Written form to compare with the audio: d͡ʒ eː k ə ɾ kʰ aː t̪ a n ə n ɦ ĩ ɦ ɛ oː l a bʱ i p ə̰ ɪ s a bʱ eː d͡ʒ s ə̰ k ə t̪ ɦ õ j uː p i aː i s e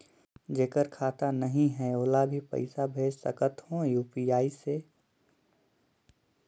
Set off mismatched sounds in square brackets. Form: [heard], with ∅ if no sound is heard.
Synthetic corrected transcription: d͡ʒ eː k ə ɾ kʰ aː t̪ a n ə [∅] ɦ ĩ ɦ ɛ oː l a bʱ i p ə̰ ɪ s a bʱ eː d͡ʒ s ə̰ k ə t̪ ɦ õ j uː p i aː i s e

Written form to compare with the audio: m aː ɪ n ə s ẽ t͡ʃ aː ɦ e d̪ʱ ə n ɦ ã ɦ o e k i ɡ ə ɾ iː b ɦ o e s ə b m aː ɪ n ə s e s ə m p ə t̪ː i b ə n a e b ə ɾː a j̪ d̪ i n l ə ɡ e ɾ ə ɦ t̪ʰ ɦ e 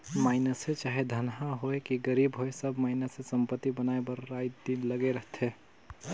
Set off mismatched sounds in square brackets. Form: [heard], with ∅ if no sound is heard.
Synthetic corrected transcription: m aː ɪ n ə s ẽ t͡ʃ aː ɦ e d̪ʱ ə n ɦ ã ɦ o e k i ɡ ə ɾ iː b ɦ o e s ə b m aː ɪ n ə s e s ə m p ə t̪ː i b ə n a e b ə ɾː a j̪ d̪ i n l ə ɡ e ɾ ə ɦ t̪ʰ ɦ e

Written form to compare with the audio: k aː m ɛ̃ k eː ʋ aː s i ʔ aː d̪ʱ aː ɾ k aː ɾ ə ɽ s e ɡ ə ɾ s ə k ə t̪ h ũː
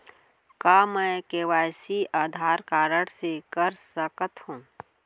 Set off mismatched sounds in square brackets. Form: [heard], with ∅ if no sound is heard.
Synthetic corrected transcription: k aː m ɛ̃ k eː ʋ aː s i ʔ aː d̪ʱ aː ɾ k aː ɾ ə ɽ s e [k] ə ɾ s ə k ə t̪ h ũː

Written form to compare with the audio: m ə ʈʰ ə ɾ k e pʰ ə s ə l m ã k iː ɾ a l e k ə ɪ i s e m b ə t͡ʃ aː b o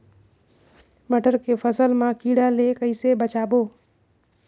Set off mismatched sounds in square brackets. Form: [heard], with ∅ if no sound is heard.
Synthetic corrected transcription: m ə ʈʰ ə ɾ k e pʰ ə s ə l m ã k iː [ɽ] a l e k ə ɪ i s e [∅] b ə t͡ʃ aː b o

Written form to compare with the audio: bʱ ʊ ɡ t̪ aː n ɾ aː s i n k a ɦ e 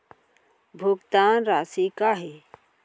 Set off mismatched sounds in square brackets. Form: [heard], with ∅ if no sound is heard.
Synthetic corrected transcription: bʱ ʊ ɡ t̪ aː n ɾ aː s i [∅] k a ɦ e

